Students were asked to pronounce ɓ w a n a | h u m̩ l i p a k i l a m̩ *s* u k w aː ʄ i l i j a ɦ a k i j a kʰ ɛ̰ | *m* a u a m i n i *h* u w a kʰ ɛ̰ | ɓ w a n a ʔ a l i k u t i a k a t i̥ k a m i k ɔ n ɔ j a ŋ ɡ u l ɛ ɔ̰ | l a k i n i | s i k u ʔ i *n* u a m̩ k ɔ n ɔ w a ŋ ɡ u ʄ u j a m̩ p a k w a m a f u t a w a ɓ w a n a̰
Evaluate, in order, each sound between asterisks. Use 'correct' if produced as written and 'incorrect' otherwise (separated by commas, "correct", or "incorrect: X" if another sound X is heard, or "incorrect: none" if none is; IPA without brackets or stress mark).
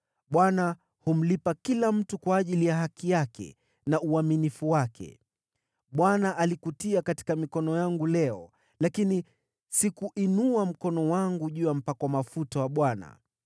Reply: incorrect: t, incorrect: n, incorrect: f, correct